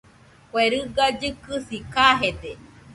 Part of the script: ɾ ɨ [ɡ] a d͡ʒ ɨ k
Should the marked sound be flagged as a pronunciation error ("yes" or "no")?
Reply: no